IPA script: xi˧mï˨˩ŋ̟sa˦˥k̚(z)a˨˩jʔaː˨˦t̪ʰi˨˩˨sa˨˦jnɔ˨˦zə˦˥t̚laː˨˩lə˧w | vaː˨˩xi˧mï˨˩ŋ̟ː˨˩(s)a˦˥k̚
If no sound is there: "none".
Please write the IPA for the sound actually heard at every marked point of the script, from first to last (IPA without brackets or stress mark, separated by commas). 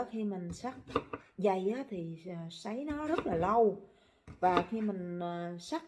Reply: z, s